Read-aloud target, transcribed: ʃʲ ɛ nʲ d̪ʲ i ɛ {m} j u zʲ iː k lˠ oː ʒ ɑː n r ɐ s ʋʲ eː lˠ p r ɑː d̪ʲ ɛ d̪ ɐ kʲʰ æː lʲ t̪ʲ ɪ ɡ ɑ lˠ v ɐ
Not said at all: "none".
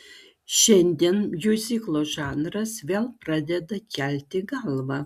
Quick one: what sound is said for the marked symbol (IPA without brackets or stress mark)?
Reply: n